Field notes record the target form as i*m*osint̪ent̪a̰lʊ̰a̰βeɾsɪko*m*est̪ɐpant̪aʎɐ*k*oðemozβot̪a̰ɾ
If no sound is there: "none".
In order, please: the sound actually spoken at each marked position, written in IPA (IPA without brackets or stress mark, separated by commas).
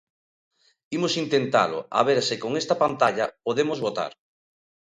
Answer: m, ŋ, p